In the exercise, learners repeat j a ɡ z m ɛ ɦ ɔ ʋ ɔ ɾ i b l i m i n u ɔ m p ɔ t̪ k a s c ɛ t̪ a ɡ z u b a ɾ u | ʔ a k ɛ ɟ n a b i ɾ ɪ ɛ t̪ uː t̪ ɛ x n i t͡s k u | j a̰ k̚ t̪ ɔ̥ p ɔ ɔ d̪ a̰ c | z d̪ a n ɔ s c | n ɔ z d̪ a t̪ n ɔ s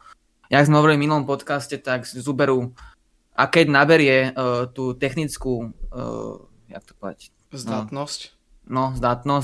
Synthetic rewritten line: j a ɡ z m ɛ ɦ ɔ ʋ ɔ ɾ i l i m i n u ɔ m p ɔ t̪ k a s c ɛ t̪ a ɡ z u b ɛ ɾ u | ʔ a k ɛ ɟ n a b ɛ ɾ ɪ ɛ t̪ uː t̪ ɛ x n i t͡s k u | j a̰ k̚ t̪ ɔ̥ p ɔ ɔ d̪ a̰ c | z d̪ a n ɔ s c | n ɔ z d̪ a t̪ n ɔ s